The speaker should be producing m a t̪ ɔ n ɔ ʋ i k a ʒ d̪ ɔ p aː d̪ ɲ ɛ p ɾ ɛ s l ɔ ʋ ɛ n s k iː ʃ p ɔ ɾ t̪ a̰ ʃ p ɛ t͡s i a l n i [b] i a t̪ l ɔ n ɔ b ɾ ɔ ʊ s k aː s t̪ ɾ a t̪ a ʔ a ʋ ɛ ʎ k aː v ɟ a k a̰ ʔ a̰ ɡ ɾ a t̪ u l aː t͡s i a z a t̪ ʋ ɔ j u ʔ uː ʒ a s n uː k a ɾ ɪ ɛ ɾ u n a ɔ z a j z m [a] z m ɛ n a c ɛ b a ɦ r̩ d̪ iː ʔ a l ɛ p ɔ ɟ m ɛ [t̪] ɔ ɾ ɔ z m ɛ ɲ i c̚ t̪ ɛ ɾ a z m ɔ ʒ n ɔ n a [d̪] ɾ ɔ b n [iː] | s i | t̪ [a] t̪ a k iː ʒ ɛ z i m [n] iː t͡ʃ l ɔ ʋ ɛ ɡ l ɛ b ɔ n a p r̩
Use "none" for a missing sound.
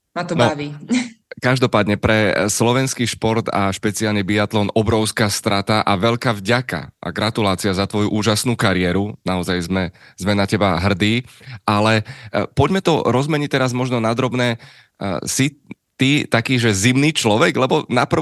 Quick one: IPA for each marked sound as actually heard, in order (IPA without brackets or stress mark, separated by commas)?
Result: b, ɛ, t̪, d̪, ɛː, i, n